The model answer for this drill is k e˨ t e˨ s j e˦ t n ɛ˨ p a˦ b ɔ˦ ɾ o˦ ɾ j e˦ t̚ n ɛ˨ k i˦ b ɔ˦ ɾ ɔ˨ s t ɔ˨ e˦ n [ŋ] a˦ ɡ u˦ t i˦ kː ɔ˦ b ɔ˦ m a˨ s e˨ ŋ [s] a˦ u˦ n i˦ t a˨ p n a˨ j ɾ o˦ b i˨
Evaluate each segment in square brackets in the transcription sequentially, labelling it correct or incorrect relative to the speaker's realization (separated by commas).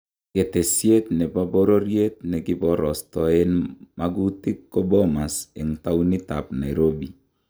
incorrect, incorrect